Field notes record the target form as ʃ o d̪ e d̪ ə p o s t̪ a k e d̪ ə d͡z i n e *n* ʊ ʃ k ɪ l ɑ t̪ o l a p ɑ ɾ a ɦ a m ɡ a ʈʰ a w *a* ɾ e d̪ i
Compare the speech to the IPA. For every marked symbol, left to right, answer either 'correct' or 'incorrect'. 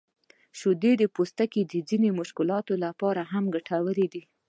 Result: incorrect, incorrect

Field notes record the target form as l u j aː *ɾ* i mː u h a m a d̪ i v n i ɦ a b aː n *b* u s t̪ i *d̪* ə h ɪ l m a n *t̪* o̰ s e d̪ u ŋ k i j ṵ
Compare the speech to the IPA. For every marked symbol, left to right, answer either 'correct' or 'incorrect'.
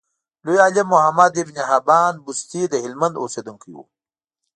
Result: incorrect, correct, correct, incorrect

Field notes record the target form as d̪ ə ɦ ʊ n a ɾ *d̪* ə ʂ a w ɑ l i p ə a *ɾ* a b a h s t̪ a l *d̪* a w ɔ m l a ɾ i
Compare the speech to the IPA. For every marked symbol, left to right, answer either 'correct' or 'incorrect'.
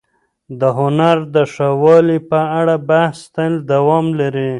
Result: correct, incorrect, correct

